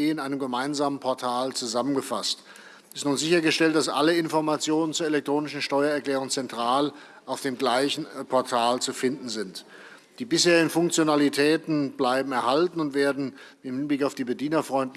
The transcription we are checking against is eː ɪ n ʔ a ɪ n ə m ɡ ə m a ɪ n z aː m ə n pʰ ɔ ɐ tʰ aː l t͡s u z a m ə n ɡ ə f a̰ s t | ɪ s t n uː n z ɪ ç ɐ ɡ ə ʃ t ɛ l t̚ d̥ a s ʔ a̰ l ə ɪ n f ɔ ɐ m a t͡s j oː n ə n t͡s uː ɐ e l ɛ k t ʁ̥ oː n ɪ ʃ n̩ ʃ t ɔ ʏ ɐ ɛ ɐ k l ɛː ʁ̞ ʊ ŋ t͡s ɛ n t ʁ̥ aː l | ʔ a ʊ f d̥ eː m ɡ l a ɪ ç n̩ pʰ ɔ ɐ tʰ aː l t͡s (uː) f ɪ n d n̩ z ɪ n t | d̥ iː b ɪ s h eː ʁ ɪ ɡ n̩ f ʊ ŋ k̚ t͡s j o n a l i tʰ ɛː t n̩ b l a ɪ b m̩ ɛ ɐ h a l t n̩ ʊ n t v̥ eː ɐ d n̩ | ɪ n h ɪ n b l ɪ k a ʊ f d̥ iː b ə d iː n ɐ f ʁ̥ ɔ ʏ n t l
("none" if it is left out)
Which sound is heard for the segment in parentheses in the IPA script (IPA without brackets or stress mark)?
u